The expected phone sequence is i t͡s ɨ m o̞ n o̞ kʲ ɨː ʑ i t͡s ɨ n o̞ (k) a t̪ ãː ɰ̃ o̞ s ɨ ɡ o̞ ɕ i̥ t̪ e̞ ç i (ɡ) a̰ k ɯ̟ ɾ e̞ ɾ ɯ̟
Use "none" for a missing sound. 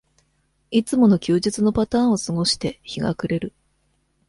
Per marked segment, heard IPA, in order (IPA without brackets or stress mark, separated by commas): p, ɡ